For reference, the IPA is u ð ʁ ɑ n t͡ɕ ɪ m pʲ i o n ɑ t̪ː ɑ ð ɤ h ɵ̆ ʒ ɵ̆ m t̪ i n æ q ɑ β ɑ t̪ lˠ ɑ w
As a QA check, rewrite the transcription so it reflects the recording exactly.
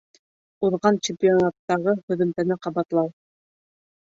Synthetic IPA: u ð ʁ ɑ n t͡ɕ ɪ m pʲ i o n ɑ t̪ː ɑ ʁ ɤ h ɵ̆ ð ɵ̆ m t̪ æ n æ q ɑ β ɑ t̪ lˠ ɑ w